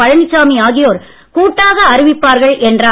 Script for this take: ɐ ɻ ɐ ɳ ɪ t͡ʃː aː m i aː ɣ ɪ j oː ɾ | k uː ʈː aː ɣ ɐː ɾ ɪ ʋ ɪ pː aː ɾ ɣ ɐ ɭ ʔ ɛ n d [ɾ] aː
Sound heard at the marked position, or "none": r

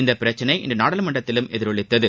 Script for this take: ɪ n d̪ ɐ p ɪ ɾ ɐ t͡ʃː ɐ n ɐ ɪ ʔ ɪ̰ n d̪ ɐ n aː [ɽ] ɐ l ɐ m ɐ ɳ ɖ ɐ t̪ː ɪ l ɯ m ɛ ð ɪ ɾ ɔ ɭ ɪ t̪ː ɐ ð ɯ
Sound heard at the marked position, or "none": ɽ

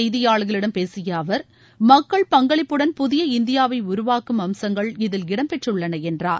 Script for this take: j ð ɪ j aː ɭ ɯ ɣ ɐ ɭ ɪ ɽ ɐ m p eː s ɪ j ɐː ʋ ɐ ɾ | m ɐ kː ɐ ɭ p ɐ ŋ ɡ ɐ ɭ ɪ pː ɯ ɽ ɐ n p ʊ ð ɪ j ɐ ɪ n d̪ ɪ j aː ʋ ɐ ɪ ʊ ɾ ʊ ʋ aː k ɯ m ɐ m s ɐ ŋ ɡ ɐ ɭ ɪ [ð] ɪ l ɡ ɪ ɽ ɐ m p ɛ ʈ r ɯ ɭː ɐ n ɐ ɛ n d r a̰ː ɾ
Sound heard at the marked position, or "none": ð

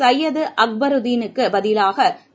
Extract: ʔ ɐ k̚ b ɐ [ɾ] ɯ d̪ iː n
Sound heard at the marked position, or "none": ɾ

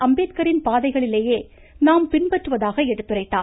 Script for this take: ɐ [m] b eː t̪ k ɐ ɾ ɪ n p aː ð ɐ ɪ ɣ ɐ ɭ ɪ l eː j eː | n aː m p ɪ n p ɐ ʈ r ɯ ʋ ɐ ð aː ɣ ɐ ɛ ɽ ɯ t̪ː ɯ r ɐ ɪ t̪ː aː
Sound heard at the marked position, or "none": m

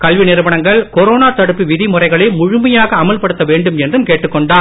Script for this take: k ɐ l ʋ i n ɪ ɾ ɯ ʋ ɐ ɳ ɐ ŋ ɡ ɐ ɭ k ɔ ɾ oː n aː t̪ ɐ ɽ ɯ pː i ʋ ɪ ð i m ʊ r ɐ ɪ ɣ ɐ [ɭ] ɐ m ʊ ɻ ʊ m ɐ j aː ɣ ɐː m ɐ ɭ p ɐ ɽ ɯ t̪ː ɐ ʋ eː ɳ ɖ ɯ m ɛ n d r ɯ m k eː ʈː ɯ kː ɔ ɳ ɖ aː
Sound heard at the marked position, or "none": ɭ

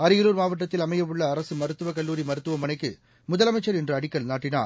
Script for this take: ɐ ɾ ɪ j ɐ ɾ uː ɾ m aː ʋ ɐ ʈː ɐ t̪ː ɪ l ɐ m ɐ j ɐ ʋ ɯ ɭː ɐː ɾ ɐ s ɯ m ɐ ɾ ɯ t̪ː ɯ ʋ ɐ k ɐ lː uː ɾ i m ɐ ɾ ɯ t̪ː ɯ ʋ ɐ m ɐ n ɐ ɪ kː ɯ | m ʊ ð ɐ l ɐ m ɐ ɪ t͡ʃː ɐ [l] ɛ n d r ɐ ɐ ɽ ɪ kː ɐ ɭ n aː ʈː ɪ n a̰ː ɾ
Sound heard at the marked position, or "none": ɾ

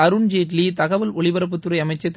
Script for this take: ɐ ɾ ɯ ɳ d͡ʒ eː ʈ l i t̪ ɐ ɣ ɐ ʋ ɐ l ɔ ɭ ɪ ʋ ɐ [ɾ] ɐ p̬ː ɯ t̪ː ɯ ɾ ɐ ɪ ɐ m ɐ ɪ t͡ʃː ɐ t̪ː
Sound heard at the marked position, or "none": ɾ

